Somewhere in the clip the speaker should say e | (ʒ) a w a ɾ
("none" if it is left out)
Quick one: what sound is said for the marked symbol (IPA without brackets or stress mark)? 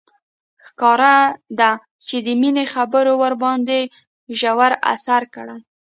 ʒ